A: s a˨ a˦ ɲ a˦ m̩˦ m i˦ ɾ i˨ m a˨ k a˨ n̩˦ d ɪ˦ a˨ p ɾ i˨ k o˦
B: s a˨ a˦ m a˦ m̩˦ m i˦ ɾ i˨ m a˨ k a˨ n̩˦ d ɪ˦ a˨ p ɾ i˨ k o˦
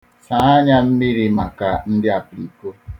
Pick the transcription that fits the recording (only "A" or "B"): A